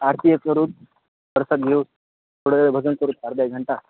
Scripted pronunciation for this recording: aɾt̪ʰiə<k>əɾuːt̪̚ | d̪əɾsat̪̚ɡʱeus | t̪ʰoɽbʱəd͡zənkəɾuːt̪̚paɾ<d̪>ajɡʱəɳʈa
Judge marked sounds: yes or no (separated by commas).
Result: yes, yes